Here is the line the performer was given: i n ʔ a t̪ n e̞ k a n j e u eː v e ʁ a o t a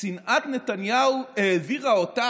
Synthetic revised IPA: i n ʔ a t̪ n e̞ t a n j a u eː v i ʁ a o t a

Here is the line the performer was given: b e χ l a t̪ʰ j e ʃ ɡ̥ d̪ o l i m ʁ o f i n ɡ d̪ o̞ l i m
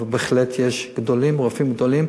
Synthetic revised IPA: b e χ l e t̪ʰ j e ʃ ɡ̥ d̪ o l i m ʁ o f i m ɡ d̪ o̞ l i m

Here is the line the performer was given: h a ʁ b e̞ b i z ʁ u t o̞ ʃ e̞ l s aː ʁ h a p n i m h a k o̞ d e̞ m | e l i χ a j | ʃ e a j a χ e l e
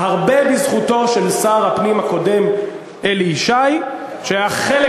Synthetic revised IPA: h a ʁ b e̞ b i z χ u t o̞ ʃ e̞ l s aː ʁ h a p n i m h a k o̞ d e̞ m | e l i ʃ a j | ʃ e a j a χ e l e

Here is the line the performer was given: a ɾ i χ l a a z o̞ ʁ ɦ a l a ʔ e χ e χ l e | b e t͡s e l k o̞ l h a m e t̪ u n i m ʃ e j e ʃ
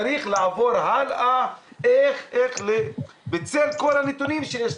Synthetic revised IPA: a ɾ i χ l a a v o̞ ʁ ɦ a l a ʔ e χ e χ l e | b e t͡s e l k o̞ l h a n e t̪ u n i m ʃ e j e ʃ

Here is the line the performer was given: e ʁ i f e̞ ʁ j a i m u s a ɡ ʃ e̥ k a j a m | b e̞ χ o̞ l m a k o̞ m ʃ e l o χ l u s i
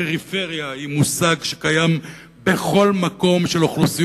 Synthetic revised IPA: e ʁ i f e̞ ʁ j a i m u s a ɡ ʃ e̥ k a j a m | b e̞ χ o̞ l m a k o̞ m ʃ e l o χ l u s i

